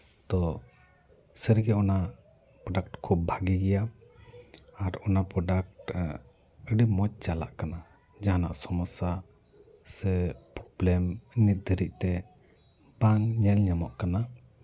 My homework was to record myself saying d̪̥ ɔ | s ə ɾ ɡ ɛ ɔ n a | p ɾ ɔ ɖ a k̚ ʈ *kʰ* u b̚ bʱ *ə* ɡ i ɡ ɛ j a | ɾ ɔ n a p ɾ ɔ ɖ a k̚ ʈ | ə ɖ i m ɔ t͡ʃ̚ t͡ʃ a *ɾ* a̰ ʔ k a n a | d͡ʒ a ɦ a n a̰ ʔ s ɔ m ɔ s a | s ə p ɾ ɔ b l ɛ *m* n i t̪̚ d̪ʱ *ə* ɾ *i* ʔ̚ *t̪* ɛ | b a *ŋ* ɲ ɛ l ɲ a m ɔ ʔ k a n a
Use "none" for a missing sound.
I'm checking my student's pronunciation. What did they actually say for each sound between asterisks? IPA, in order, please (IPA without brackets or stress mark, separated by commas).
kʰ, a, l, m, ə, i, t̪, ŋ